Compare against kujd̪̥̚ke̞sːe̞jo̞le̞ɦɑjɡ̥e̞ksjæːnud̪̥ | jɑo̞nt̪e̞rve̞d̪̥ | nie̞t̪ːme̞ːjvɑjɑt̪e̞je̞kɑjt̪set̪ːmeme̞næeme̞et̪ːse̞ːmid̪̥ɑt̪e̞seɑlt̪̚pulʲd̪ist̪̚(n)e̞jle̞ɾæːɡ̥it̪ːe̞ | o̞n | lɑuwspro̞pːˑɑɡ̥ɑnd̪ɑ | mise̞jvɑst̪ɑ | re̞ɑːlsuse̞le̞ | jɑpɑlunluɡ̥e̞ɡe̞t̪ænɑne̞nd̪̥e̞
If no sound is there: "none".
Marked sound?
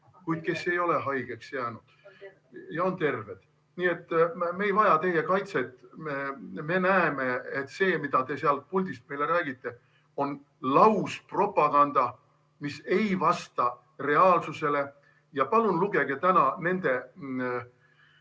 m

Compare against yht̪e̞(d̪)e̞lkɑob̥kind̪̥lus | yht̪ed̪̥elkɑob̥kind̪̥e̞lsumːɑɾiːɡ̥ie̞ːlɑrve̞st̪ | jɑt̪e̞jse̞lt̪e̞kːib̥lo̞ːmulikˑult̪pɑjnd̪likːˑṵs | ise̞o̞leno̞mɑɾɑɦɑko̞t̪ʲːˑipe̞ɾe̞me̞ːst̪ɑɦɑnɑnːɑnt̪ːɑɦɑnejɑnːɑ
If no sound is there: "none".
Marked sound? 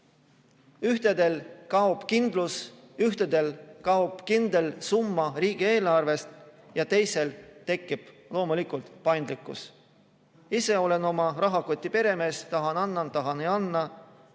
d̪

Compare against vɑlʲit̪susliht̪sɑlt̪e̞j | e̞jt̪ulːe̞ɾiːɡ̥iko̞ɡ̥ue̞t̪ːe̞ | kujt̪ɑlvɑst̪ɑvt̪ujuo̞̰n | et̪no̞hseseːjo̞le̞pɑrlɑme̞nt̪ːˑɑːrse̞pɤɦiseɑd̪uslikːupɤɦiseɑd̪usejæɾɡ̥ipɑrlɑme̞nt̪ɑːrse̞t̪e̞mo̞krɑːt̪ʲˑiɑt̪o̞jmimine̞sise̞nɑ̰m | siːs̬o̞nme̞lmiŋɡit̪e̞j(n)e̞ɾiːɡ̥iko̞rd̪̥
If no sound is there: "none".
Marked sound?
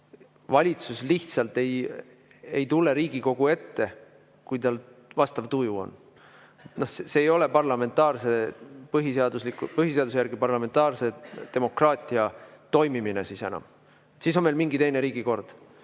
n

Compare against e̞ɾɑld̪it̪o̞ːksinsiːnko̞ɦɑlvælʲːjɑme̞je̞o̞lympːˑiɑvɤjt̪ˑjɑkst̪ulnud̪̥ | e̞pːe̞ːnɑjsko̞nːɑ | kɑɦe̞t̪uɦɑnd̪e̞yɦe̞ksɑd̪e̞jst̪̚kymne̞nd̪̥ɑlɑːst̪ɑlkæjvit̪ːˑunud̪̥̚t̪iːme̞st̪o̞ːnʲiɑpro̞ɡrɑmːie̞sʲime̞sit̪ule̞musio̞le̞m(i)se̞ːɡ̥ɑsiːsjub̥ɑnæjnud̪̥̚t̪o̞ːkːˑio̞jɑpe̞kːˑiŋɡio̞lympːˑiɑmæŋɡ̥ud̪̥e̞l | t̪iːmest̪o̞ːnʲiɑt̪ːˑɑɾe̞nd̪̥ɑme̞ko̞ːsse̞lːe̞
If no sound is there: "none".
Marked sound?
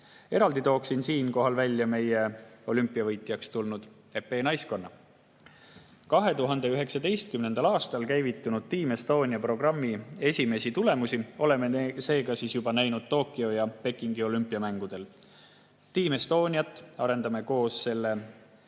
e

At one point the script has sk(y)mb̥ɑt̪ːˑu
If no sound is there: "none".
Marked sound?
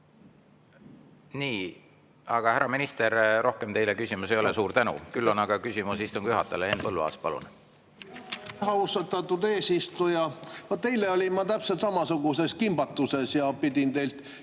i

